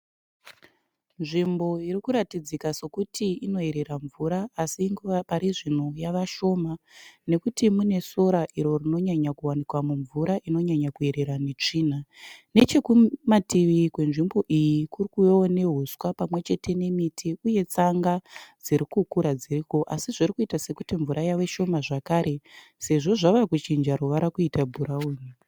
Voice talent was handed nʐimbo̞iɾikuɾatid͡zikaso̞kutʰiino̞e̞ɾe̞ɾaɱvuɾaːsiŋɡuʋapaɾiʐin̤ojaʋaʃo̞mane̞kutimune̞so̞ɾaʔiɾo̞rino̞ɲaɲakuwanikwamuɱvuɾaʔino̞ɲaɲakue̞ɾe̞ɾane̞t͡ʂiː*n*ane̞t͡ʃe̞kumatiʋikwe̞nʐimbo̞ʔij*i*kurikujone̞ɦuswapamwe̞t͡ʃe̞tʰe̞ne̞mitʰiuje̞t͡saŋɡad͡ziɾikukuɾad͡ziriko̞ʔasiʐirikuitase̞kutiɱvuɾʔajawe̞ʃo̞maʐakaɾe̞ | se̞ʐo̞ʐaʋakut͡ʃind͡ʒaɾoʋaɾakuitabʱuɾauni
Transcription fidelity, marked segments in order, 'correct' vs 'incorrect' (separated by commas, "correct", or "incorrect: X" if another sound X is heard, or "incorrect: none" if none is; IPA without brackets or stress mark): correct, correct